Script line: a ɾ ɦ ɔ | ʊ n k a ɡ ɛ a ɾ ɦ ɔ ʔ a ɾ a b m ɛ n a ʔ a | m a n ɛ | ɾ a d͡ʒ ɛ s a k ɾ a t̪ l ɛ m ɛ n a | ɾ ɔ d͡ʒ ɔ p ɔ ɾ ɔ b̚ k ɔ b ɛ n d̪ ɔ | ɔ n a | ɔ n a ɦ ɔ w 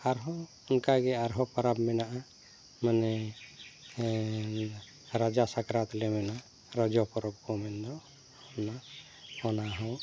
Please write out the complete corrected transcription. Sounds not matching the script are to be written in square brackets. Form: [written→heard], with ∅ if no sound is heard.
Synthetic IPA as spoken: a ɾ ɦ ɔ | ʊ n k a ɡ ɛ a ɾ ɦ ɔ [ʔ→p] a ɾ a b m ɛ n a ʔ a | m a n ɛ | ɾ a d͡ʒ [ɛ→a] s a k ɾ a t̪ l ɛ m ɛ n a | ɾ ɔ d͡ʒ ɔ p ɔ ɾ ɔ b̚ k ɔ [b→m] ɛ n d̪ ɔ | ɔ n a | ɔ n a ɦ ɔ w